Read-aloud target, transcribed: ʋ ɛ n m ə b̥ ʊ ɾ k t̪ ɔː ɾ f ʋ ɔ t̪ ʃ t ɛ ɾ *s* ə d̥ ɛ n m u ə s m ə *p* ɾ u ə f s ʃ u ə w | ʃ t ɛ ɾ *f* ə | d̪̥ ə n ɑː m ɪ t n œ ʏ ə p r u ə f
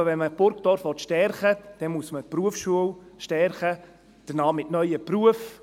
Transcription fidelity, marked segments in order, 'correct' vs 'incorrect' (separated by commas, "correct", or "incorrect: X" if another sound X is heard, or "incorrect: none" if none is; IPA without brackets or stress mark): incorrect: χ, correct, incorrect: χ